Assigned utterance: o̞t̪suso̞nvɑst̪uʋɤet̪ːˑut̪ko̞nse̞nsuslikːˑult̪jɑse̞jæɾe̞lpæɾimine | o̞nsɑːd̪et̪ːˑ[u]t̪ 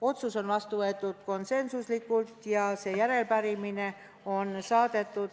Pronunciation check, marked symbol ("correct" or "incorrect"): correct